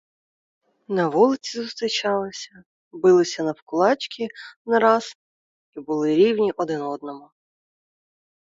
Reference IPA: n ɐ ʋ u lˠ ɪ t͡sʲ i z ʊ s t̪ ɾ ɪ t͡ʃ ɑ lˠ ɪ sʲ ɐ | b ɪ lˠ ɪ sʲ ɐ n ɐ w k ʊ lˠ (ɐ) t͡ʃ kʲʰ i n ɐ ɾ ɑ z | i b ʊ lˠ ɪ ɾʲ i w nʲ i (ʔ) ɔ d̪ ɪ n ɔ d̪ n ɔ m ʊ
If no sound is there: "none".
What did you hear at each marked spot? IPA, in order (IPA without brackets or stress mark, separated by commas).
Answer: ɑ, ʔ